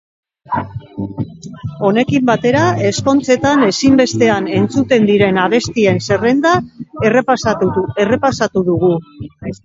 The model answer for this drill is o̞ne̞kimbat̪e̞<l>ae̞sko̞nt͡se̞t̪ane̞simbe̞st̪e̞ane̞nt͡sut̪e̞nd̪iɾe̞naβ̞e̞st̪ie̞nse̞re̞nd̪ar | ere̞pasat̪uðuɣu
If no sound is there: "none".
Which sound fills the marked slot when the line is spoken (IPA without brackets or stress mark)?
ɾ